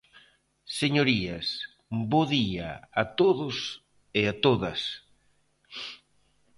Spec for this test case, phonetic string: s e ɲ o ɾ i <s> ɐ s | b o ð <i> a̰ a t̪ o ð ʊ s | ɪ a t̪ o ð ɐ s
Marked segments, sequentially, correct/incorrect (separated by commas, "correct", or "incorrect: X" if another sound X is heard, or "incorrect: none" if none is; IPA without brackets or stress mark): incorrect: none, correct